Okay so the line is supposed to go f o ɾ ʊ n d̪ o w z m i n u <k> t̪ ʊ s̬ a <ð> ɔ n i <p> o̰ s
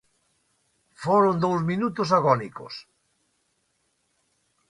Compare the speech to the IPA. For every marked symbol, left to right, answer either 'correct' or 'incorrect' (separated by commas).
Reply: incorrect, incorrect, incorrect